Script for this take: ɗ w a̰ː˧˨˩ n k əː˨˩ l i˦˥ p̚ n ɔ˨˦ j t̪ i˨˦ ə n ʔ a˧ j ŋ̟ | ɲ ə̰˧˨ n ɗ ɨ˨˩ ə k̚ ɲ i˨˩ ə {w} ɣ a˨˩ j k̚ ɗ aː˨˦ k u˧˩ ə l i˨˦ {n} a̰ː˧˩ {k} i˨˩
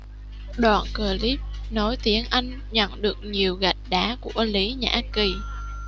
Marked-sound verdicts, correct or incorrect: correct, incorrect: ɲ, correct

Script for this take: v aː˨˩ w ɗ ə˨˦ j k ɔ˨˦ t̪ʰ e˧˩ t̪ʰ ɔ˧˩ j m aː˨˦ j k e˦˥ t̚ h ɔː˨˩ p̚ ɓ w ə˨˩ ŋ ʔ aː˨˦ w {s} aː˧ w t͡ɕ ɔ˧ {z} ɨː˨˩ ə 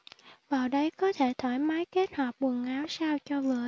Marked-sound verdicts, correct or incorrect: correct, incorrect: v

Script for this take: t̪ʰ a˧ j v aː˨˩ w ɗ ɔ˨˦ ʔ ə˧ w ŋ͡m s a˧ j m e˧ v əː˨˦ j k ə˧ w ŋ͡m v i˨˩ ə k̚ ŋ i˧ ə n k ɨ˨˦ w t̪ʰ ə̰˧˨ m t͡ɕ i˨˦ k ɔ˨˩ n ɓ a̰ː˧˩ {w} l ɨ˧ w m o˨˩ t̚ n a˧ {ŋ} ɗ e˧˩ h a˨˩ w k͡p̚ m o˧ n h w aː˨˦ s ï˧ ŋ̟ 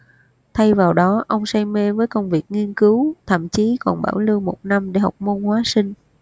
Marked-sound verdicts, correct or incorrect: correct, incorrect: m

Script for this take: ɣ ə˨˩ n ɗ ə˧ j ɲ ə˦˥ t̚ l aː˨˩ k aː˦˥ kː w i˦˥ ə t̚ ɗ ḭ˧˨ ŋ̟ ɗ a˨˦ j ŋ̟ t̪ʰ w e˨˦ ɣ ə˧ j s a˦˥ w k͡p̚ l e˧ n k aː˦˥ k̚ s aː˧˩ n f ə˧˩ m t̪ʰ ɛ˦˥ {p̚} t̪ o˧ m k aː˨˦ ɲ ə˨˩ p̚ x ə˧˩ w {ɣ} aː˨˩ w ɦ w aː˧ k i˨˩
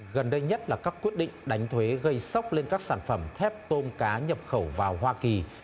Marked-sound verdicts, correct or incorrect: correct, incorrect: v

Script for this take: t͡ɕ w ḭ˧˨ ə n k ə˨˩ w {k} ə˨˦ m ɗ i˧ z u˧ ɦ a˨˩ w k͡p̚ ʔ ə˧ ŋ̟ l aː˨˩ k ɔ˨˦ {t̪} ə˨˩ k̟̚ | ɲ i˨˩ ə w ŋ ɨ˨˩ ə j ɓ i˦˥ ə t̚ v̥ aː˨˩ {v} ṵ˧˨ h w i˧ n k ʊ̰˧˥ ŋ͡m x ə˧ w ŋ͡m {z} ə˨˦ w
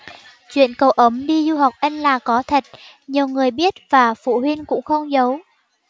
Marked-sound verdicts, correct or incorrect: incorrect: ʔ, incorrect: t̪ʰ, incorrect: f, correct

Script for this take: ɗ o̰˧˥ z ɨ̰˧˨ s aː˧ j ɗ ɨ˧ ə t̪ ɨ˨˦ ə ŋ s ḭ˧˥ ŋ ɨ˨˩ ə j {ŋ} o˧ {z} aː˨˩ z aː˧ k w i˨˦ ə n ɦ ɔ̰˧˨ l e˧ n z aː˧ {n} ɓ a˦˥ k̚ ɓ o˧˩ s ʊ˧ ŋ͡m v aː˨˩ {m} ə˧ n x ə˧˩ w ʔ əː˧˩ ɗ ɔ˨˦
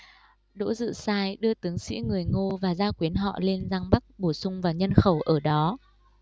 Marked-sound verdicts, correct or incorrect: correct, incorrect: v, incorrect: ŋ, incorrect: ɲ

